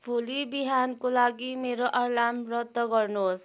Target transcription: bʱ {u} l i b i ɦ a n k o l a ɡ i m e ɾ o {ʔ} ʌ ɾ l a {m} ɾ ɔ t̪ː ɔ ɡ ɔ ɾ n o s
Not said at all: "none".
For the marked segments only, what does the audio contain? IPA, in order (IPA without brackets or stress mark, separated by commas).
u, ʔ, m